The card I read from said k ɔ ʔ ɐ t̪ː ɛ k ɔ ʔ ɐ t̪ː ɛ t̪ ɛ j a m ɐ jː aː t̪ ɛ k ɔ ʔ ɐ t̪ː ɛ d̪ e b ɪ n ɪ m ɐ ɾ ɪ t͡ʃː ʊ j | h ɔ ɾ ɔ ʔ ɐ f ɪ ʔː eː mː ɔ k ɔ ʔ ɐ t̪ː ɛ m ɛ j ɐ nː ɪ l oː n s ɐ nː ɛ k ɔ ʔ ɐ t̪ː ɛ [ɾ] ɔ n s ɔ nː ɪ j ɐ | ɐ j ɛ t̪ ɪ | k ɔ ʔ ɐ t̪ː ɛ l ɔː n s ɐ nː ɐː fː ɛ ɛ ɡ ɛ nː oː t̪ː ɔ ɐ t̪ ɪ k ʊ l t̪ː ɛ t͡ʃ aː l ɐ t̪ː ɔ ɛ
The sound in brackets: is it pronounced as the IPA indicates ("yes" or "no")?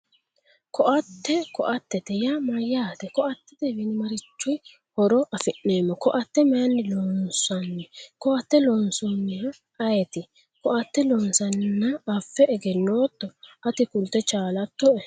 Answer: no